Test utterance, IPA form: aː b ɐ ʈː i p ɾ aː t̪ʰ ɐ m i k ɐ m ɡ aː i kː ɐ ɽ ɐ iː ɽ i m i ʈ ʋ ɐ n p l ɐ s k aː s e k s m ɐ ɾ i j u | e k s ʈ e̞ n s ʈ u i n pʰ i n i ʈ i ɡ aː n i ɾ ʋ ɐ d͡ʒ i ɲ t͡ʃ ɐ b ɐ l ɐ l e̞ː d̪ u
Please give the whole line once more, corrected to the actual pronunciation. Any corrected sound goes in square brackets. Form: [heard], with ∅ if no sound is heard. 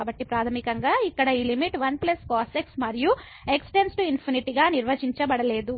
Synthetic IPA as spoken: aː b ɐ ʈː i p ɾ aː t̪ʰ ɐ m i k ɐ [ŋ] ɡ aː i kː ɐ ɽ ɐ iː [l] i m i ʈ ʋ ɐ n p l ɐ s k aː s e k s m ɐ ɾ i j u | e k s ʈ e̞ n s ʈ u i n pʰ i n i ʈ i ɡ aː n i ɾ ʋ ɐ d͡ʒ i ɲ t͡ʃ ɐ b ɐ [ɽ] ɐ l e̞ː d̪ u